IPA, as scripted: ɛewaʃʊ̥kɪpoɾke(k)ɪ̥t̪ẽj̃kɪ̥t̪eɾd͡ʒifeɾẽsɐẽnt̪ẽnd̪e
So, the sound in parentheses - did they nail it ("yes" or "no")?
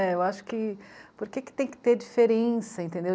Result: yes